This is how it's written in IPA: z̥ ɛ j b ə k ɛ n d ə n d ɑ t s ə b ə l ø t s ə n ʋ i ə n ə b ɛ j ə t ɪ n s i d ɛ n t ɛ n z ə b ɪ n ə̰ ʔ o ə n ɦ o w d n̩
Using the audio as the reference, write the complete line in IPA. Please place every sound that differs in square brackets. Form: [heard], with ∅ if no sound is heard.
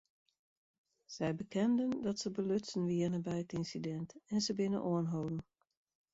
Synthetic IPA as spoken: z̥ ɛ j b ə k ɛ n d ə n d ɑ t s ə b ə l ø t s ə n ʋ i ə n ə b ɛ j ə t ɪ n s i d ɛ n t ɛ n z ə b ɪ n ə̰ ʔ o ə n ɦ o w d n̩